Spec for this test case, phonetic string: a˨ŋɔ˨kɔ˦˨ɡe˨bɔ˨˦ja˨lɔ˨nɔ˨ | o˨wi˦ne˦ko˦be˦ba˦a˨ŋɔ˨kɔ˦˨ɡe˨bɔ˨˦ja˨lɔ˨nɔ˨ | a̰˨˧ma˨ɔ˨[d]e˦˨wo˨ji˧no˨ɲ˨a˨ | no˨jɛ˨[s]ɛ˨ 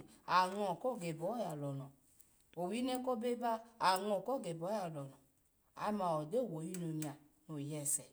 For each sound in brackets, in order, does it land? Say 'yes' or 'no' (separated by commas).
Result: yes, yes